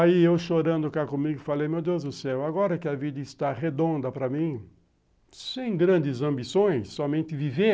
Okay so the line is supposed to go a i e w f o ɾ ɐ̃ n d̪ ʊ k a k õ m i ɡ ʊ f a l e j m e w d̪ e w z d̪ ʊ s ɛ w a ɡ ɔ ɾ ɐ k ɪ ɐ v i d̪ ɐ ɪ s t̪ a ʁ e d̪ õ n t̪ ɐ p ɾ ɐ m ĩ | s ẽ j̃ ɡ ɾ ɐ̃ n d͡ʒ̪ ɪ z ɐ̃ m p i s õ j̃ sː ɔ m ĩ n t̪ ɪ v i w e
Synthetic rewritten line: a i e w ʃ o ɾ ɐ̃ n d̪ ʊ k a k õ m i ɡ ʊ f a l e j m e w d̪ e w z d̪ ʊ s ɛ w a ɡ ɔ ɾ ɐ k ɪ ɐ v i d̪ ɐ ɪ s t̪ a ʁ e d̪ õ n d̪ ɐ p ɾ ɐ m ĩ | s ẽ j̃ ɡ ɾ ɐ̃ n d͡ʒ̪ ɪ z ɐ̃ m b i s õ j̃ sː ɔ m ẽ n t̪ ɪ v i v e